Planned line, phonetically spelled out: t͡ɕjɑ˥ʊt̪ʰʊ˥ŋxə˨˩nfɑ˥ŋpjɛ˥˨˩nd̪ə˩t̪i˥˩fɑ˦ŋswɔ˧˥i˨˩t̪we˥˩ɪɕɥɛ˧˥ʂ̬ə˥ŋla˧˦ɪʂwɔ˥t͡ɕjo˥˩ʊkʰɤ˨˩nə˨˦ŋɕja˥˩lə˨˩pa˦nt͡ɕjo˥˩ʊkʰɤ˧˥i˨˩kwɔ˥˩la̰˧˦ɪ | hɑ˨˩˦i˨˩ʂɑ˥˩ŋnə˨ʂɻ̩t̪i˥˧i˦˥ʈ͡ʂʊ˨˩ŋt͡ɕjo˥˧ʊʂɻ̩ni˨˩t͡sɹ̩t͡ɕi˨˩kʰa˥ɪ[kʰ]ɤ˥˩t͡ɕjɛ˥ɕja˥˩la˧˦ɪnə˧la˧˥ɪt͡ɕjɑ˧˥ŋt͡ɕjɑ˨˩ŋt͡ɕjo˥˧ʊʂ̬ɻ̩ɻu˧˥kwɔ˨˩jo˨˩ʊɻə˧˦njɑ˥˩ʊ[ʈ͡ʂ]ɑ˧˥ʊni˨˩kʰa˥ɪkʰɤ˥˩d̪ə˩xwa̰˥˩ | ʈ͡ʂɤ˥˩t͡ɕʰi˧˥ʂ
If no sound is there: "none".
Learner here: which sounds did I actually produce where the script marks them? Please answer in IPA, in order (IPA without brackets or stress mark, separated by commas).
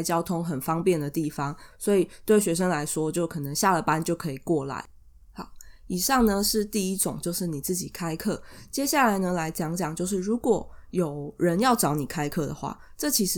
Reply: kʰ, ʈ͡ʂ